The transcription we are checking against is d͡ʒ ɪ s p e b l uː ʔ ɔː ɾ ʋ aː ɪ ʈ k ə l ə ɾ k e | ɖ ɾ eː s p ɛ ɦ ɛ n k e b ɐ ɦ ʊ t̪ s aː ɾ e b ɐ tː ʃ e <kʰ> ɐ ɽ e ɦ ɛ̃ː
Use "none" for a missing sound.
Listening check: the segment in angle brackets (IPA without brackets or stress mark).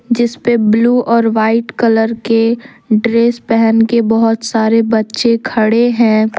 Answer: kʰ